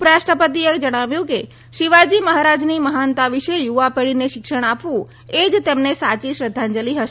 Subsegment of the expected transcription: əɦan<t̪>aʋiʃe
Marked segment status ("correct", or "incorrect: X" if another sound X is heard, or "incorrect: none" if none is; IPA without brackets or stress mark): correct